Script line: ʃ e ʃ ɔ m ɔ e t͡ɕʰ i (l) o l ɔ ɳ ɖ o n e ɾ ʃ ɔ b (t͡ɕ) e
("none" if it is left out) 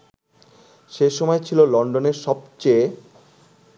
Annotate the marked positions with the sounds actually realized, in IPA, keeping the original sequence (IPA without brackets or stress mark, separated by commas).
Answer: l, t͡ɕ